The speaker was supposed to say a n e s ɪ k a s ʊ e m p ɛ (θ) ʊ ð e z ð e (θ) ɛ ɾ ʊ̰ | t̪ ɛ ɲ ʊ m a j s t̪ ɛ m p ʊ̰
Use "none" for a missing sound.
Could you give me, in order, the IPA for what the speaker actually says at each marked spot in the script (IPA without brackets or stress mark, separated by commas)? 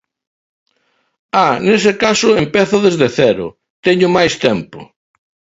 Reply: θ, θ